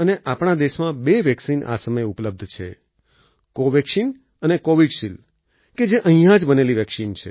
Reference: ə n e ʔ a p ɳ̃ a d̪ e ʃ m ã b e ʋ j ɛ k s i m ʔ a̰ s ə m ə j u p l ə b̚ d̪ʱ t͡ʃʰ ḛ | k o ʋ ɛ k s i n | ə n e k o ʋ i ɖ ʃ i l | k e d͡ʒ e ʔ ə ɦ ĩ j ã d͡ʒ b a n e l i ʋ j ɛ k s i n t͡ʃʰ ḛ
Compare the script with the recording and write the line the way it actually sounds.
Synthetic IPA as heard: ə n e ʔ a p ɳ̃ a d̪ e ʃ m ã b e ʋ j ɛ k s i n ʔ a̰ s ə m ə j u p l ə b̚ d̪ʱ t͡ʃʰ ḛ | k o ʋ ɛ k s i n | ə n e k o ʋ i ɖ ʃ i l | k e d͡ʒ e ʔ ə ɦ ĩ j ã d͡ʒ b ə n e l i ʋ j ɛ k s i n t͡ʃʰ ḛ